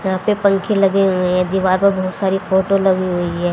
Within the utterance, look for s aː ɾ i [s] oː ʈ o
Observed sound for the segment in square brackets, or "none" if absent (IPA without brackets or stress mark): f